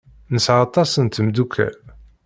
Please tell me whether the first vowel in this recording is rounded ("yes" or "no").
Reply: no